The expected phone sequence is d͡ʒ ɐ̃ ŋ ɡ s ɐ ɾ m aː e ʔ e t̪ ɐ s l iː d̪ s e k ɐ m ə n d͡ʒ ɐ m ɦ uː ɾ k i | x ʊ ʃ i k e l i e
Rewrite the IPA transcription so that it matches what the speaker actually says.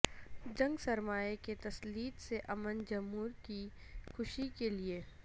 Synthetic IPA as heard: d͡ʒ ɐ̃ ŋ ɡ s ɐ ɾ m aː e k e t̪ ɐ s l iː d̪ s e ʔ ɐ m ə n d͡ʒ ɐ m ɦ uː ɾ k i | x ʊ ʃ i k e l i e